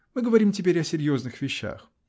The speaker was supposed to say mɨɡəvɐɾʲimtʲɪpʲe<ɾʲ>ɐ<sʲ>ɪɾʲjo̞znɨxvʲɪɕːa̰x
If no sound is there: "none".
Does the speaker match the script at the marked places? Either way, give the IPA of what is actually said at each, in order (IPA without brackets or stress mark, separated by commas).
ɾʲ, sʲ